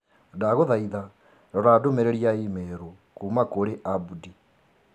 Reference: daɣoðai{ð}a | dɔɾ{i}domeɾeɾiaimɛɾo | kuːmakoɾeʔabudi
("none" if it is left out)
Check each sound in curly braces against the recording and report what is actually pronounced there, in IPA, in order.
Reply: ð, a

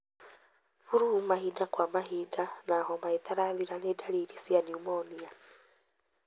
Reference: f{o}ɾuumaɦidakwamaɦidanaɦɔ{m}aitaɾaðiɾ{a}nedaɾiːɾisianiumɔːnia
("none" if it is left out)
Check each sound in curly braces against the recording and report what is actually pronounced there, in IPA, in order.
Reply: u, m, a

